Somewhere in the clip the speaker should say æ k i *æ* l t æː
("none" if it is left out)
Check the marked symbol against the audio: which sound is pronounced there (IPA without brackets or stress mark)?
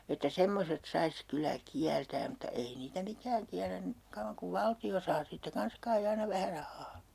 æ